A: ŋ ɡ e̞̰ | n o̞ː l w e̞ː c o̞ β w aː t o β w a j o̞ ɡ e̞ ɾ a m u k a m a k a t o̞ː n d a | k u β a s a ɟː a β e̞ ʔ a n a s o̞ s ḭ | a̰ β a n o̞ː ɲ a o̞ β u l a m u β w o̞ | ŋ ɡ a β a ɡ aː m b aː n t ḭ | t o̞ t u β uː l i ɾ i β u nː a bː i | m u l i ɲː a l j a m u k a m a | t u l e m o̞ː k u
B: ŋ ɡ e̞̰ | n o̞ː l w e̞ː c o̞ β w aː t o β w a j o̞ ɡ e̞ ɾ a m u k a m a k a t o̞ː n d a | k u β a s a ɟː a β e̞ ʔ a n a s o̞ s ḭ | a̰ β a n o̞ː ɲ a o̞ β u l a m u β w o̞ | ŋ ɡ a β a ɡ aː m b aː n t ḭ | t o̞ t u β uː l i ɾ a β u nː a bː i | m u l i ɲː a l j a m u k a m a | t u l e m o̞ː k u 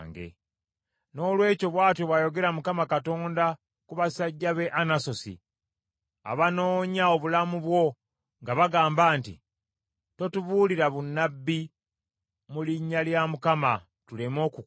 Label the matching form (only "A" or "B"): B